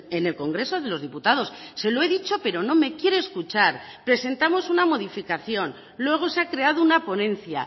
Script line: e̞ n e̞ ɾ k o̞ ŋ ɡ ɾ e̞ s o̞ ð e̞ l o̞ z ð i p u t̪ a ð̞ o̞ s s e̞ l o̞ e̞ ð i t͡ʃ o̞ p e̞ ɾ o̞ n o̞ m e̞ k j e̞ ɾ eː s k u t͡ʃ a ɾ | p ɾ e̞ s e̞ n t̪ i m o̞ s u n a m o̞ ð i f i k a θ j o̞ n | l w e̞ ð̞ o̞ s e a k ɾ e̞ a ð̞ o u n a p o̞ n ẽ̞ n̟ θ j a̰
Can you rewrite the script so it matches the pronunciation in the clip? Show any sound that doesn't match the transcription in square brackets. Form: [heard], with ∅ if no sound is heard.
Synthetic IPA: e̞ n e̞ [l] k o̞ ŋ ɡ ɾ e̞ s o̞ ð e̞ l o̞ z ð i p u t̪ a ð̞ o̞ s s e̞ l o̞ e̞ ð i t͡ʃ o̞ p e̞ ɾ o̞ n o̞ m e̞ k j e̞ ɾ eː s k u t͡ʃ a ɾ | p ɾ e̞ s e̞ n t̪ [a] m o̞ s u n a m o̞ ð i f i k a θ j o̞ n | l w e̞ [ɣ̞] o̞ s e a k ɾ e̞ a ð̞ o u n a p o̞ n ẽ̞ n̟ θ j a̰